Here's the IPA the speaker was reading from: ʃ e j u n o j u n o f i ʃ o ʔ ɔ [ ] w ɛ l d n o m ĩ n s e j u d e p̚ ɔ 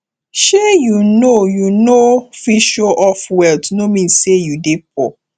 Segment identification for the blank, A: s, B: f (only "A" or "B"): B